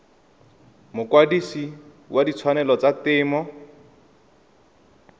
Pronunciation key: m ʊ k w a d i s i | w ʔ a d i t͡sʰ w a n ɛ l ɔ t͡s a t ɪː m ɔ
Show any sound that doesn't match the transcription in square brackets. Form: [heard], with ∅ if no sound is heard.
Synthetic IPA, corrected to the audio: m ʊ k w a d i s i | w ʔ a d i t͡sʰ w a n ɛ l ɔ t͡s a t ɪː m ɔ